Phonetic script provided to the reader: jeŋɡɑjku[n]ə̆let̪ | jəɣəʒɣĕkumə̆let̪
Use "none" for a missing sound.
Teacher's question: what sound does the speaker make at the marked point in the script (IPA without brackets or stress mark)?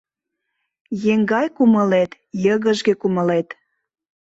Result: m